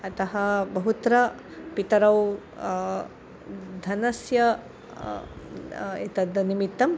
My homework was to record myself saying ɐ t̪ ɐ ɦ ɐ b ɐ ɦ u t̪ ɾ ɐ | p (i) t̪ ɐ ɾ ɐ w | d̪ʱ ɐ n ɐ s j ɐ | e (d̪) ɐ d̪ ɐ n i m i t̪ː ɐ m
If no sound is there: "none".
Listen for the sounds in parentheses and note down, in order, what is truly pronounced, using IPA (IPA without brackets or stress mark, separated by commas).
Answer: i, t̪